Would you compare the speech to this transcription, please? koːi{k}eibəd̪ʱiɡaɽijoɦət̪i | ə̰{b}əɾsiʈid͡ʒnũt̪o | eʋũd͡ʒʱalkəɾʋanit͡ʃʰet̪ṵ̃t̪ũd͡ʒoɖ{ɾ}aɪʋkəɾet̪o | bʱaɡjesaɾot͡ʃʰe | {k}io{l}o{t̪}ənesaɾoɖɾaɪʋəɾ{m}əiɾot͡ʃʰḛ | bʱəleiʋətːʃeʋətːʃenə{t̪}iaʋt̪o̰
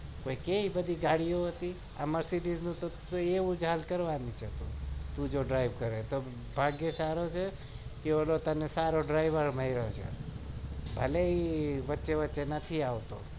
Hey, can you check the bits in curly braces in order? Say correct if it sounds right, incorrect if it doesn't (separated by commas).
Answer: correct, incorrect, correct, correct, correct, correct, correct, incorrect